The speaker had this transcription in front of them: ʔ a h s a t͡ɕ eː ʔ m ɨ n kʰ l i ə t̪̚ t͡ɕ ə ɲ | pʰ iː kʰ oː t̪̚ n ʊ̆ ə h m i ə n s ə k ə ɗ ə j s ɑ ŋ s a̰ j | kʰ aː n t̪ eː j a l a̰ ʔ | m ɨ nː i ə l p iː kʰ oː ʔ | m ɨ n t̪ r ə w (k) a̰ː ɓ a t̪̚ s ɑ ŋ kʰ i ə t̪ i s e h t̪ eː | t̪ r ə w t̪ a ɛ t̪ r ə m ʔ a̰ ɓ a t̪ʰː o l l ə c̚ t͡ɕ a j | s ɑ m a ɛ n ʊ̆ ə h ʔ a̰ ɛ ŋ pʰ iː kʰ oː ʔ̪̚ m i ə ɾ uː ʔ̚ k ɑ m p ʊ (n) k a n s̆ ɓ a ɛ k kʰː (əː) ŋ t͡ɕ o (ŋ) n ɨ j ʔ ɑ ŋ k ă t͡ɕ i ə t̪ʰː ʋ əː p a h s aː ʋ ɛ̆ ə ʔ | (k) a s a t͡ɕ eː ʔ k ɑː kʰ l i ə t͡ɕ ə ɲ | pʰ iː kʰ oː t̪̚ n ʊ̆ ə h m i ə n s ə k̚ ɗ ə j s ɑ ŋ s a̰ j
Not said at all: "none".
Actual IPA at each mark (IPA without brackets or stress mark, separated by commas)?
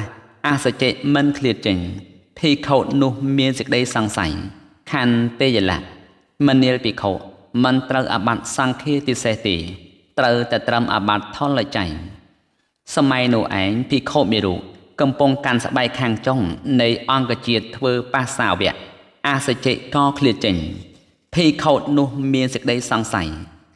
ʔ, ŋ, aː, ŋ, ʔ